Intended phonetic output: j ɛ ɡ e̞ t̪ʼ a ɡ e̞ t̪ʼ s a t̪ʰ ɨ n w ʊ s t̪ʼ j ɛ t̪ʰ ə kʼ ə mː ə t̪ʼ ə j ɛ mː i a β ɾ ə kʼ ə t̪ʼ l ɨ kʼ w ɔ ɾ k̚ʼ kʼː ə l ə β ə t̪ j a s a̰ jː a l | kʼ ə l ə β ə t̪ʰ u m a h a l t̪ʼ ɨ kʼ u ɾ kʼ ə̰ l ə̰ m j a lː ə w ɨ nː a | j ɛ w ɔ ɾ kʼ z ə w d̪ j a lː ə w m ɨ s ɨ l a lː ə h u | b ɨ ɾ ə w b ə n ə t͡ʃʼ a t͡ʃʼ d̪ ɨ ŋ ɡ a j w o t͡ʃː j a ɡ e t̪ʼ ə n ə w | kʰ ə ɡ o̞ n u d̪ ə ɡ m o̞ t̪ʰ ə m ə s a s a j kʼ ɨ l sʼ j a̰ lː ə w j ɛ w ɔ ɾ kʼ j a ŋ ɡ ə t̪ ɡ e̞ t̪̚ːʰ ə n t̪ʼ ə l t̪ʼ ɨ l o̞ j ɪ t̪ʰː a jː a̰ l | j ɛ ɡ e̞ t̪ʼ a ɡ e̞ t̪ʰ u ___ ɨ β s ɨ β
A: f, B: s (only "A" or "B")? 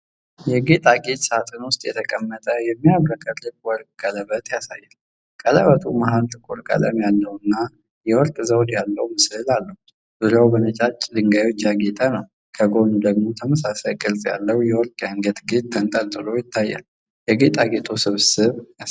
B